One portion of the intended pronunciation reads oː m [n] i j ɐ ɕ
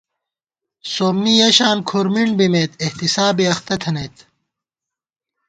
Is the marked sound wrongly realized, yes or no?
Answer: no